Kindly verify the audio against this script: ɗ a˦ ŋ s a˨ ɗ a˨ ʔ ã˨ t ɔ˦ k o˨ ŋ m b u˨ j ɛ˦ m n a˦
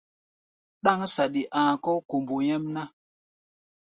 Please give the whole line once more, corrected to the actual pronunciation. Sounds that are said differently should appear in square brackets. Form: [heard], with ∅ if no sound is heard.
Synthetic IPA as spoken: ɗ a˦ ŋ s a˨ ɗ [i˨] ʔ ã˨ [k] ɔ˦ k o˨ [∅] m b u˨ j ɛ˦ m n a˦